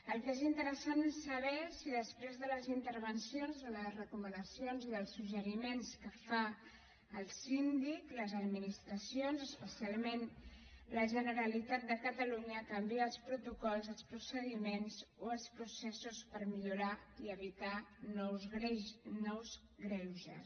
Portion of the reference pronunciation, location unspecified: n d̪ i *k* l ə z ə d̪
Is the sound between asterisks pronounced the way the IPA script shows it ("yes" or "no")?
yes